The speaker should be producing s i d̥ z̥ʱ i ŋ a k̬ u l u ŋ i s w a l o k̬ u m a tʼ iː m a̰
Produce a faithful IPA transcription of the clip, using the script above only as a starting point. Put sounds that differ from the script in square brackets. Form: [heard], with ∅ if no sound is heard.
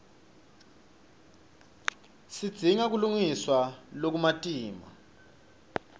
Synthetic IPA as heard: s i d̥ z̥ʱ i ŋ a k̬ u l u ŋ i s w a l o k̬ u m a tʼ iː m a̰